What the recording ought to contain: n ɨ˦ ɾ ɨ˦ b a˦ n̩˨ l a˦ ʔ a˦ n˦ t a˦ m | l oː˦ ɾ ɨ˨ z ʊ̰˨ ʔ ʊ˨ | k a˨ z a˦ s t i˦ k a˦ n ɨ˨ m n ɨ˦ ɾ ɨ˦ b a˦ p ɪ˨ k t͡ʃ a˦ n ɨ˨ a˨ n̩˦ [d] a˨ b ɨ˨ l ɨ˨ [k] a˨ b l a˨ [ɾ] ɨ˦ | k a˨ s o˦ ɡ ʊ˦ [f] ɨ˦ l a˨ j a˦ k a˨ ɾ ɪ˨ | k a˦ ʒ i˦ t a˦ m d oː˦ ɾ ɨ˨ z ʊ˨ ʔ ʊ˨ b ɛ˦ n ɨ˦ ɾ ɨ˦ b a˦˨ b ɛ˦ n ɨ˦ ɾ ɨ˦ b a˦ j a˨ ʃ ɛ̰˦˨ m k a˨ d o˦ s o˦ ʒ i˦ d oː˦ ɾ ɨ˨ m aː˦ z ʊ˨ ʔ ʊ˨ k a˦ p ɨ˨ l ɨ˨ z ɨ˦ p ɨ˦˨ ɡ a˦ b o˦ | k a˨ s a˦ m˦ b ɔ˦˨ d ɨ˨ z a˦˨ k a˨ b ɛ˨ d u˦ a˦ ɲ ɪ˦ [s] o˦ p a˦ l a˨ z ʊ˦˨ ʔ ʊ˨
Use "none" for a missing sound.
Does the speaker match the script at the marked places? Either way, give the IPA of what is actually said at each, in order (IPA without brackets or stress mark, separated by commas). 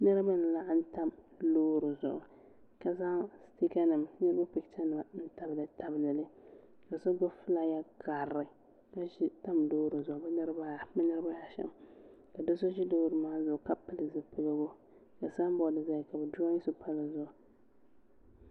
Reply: t, t, l, f, s